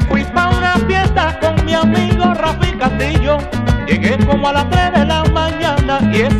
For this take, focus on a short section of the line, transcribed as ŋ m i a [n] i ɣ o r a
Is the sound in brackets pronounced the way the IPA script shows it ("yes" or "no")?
no